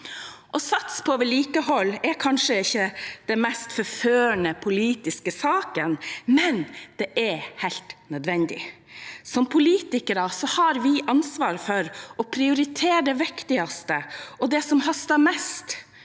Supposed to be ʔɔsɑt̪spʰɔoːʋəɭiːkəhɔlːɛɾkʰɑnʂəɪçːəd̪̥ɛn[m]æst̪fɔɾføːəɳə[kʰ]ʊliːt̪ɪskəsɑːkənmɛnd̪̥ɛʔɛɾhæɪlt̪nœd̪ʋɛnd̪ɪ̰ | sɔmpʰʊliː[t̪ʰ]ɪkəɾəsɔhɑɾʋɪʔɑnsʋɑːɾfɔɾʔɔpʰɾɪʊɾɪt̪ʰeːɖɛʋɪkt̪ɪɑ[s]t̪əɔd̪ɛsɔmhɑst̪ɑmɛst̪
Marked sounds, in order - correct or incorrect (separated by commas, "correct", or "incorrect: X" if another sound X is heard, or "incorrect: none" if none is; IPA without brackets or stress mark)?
correct, incorrect: pʰ, incorrect: t̪, correct